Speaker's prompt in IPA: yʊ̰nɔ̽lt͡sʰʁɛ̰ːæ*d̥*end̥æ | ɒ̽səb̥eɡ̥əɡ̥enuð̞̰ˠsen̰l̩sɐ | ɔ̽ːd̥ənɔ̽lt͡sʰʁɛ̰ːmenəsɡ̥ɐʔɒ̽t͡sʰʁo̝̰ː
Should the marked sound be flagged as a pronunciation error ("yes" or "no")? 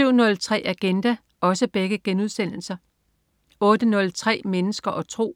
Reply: yes